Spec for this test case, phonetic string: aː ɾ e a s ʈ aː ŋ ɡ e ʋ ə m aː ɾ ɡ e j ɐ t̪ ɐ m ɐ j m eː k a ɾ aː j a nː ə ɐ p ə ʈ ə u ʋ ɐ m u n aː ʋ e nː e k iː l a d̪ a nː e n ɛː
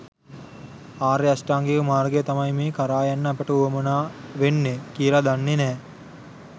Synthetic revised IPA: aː ɾ e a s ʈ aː ŋ ɡ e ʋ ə m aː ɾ ɡ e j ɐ t̪ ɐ m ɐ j m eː k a ɾ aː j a nː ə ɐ p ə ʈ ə u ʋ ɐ m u n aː ʋ e nː e k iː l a d̪ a nː e n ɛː

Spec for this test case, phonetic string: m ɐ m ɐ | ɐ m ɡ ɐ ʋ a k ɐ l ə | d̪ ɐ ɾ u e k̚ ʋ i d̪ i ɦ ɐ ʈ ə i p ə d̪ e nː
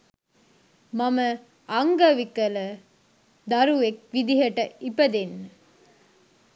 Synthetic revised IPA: m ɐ m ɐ | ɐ ŋ ɡ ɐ ʋ i k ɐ l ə | d̪ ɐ ɾ u e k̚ ʋ i d̪ i ɦ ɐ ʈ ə i p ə d̪ e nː

